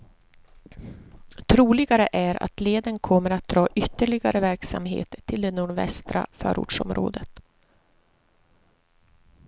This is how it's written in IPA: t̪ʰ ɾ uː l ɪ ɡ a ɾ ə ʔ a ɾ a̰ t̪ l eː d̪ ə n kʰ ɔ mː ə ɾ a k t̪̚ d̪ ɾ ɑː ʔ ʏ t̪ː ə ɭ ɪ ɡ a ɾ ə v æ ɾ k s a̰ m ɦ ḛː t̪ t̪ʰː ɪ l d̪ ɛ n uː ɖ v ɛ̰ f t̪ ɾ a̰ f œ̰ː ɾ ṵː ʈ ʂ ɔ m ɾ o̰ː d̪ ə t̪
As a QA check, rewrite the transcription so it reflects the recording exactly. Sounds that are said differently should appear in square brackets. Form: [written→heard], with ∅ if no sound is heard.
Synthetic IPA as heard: t̪ʰ ɾ uː l ɪ ɡ a ɾ ə ʔ [a→æ] ɾ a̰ t̪ l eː d̪ ə n kʰ ɔ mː ə ɾ a [k→∅] t̪̚ d̪ ɾ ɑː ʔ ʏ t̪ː ə ɭ ɪ ɡ a ɾ ə v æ ɾ k s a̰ m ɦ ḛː t̪ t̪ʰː ɪ l d̪ ɛ n uː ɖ v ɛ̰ [f→s] t̪ ɾ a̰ f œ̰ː ɾ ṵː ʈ ʂ ɔ m ɾ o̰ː d̪ ə t̪